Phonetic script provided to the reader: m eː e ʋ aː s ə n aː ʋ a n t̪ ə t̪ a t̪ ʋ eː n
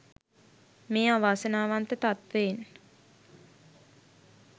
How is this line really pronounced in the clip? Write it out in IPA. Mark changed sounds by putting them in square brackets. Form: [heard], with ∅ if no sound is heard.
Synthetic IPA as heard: m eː [a] ʋ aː s ə n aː ʋ a n t̪ ə t̪ a t̪ ʋ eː n